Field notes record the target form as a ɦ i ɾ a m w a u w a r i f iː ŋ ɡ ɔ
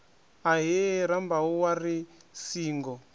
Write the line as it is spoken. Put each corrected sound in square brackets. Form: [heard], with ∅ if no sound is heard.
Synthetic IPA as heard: a ɦ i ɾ a m [b] a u w a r i [s] iː ŋ ɡ ɔ